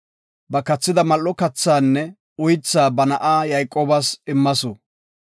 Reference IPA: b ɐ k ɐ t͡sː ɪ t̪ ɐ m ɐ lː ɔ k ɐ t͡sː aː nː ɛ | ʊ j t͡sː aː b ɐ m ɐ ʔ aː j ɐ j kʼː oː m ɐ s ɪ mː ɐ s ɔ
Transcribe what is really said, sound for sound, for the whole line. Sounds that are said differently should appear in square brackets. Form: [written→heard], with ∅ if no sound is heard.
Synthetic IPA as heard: b ɐ k ɐ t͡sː ɪ [t̪→d̪] ɐ m ɐ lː ɔ k ɐ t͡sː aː nː ɛ | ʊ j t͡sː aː b ɐ [m→n] ɐ ʔ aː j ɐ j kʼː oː [m→b] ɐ s ɪ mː ɐ s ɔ